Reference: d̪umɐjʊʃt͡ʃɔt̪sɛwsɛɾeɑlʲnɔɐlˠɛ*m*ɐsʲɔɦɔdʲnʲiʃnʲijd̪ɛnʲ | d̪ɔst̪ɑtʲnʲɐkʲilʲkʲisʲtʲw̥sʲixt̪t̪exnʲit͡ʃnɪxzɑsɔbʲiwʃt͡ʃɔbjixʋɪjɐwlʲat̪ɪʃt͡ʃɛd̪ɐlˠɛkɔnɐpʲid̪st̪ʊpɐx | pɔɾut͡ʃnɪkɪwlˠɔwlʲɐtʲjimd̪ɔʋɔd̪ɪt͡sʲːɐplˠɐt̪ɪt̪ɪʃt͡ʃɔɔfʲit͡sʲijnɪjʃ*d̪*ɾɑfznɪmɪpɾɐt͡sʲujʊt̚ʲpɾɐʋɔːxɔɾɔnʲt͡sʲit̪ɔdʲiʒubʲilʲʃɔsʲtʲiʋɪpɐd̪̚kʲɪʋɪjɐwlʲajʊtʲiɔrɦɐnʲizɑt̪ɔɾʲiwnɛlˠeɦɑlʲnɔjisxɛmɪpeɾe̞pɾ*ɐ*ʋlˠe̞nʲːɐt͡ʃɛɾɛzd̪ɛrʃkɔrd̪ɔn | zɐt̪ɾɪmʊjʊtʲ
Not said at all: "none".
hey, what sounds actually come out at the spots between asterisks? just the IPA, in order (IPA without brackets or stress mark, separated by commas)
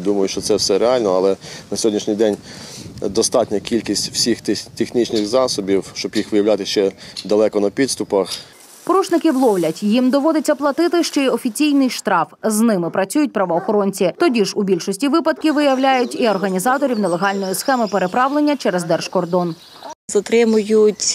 n, t̪, ɑ